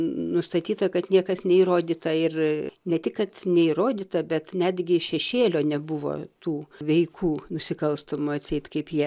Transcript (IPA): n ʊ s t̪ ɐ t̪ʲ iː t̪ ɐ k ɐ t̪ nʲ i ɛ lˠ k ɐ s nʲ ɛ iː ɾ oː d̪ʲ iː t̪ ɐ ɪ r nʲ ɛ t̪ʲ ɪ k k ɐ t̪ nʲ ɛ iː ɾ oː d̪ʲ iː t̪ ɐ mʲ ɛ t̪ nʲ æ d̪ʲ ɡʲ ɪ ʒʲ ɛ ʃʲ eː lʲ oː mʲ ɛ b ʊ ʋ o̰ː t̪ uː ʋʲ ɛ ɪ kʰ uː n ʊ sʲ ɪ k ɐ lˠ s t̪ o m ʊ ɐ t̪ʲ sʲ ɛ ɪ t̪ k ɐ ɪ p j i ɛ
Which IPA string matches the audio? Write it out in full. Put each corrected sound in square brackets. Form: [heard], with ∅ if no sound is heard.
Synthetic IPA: n ʊ s t̪ ɐ t̪ʲ iː t̪ ɐ k ɐ t̪ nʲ i ɛ [∅] k ɐ s nʲ ɛ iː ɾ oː d̪ʲ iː t̪ ɐ ɪ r nʲ ɛ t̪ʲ ɪ k k ɐ t̪ nʲ ɛ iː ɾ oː d̪ʲ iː t̪ ɐ [bʲ] ɛ t̪ nʲ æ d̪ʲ ɡʲ ɪ [ʃʲ] ɛ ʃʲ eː lʲ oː [nʲ] ɛ b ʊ ʋ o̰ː t̪ uː ʋʲ ɛ ɪ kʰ uː n ʊ sʲ ɪ k ɐ lˠ s t̪ o m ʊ ɐ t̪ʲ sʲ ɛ ɪ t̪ k ɐ ɪ p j i ɛ